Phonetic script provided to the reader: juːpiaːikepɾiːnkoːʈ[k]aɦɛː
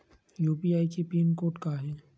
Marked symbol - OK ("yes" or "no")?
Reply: yes